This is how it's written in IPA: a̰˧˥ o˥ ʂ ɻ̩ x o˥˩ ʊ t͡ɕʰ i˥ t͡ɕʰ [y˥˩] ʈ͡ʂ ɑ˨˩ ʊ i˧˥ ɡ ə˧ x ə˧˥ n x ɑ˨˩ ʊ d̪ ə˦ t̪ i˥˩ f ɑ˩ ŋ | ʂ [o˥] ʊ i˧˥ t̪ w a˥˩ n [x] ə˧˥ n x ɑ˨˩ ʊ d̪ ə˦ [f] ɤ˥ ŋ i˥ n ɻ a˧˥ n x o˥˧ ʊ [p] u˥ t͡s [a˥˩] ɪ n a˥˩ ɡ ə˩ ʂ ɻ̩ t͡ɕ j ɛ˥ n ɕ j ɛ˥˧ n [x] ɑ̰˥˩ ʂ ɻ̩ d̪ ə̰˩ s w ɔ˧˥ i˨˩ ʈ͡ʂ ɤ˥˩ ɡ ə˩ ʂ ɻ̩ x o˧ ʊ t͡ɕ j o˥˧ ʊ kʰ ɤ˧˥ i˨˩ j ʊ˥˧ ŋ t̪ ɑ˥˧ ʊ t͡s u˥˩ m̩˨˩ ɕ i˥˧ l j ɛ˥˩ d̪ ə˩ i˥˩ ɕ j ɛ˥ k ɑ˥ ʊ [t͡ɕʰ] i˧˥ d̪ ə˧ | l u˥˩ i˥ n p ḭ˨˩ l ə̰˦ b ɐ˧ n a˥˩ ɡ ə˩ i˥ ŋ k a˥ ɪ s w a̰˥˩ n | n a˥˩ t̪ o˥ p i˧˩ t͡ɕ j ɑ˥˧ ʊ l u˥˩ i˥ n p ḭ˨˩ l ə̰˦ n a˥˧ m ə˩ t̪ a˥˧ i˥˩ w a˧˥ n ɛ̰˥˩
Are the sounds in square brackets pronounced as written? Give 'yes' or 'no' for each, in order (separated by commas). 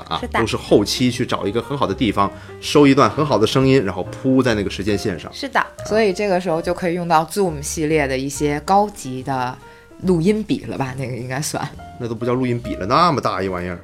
yes, yes, yes, no, no, no, no, no